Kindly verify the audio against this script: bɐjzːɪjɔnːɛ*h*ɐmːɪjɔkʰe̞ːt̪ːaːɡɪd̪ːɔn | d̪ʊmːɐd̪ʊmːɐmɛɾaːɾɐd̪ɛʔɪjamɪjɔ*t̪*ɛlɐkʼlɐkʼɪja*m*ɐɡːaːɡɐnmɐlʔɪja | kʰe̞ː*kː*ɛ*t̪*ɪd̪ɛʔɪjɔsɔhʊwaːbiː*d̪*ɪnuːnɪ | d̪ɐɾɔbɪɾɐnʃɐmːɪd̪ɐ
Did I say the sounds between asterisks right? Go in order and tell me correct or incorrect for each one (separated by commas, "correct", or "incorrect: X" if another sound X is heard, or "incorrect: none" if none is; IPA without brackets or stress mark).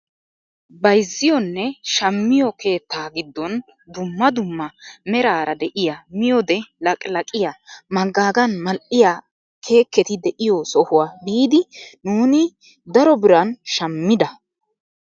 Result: incorrect: ʃ, incorrect: d̪, correct, correct, correct, correct